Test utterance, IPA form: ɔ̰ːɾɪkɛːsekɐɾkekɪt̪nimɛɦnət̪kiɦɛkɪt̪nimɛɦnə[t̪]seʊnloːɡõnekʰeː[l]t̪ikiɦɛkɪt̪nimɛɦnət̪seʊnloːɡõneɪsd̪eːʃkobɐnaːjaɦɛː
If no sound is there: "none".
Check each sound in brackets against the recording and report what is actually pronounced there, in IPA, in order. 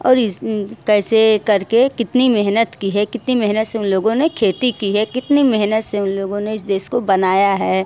t̪, none

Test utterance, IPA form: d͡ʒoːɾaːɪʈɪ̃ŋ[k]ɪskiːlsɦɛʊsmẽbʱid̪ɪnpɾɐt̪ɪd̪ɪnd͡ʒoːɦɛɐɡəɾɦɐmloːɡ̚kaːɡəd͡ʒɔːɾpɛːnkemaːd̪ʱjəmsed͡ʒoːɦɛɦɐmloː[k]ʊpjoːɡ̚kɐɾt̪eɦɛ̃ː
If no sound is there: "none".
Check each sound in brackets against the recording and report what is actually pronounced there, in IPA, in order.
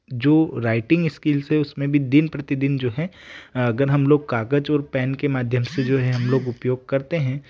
ɡ, ɡ

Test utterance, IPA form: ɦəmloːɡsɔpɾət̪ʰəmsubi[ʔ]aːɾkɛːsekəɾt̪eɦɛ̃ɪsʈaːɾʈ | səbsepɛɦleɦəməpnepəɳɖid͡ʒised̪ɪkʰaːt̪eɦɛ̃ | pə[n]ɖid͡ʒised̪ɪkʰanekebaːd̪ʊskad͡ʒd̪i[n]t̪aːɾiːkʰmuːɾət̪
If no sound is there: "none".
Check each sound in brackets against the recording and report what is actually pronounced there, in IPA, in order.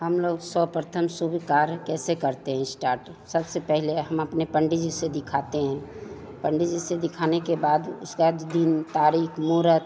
k, ɳ, n

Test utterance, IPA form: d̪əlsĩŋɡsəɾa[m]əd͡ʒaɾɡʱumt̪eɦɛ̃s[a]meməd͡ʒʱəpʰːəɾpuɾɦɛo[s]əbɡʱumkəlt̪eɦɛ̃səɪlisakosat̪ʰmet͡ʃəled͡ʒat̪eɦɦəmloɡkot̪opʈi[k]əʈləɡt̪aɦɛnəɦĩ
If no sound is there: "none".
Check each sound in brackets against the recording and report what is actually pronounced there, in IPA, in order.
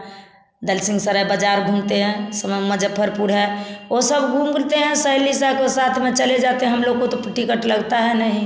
b, ə, s, k

